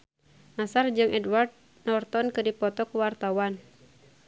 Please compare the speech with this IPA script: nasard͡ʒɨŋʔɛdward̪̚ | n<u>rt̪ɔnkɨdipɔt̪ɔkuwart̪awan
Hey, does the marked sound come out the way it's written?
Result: no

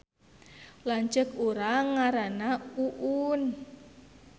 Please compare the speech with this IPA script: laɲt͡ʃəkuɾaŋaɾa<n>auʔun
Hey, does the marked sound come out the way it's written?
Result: yes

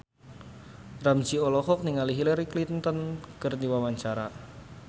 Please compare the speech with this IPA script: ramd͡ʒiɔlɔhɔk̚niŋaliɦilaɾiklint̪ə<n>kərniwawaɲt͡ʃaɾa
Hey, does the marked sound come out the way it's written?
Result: yes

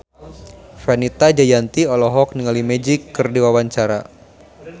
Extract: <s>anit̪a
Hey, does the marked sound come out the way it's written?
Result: no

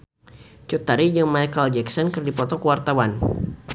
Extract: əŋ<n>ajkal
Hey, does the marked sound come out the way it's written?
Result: no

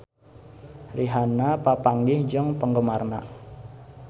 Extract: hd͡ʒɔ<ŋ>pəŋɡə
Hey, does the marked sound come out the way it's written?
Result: yes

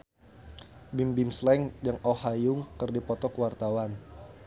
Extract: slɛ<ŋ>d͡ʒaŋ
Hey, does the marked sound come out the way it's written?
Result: yes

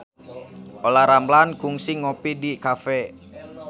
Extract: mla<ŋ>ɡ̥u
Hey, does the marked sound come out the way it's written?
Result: no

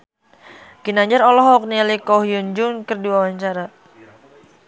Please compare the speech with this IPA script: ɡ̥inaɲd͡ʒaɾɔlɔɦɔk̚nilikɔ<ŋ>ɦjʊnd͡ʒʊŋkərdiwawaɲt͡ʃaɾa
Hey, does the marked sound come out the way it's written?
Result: no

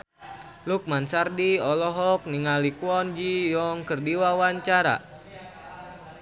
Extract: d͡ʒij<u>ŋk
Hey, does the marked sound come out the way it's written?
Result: no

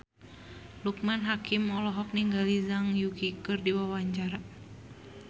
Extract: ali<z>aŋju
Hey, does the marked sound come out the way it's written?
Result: yes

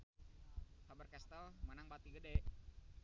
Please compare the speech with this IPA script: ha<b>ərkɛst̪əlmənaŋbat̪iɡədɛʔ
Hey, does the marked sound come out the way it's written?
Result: yes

